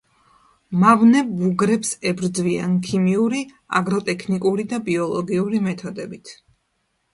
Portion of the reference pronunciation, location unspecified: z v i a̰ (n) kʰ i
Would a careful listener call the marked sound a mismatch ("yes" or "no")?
no